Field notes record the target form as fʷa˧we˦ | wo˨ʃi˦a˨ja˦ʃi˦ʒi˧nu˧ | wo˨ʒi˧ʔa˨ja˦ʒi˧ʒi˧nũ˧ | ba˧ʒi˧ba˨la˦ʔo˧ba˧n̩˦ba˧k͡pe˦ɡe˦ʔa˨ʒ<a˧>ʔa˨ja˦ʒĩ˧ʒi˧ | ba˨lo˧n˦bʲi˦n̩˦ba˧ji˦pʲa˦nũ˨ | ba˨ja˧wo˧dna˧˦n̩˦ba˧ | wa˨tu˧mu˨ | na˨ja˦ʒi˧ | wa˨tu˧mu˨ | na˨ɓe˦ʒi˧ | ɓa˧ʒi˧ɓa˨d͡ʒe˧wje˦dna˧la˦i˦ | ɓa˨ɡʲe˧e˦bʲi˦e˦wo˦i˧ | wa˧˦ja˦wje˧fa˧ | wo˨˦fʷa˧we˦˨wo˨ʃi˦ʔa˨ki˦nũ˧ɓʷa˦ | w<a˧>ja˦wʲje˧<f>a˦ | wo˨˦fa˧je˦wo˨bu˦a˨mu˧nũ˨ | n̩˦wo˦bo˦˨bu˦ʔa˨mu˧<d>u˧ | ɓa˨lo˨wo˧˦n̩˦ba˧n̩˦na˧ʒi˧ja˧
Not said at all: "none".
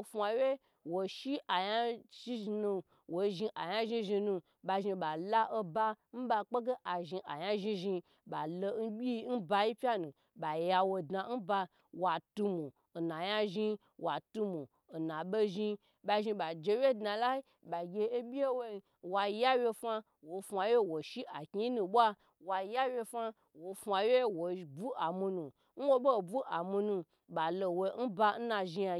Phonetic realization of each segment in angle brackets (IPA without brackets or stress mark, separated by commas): i˧, a˧, f, n